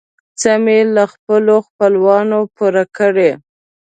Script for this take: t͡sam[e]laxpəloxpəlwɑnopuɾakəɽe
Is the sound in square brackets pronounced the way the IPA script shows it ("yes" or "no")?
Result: yes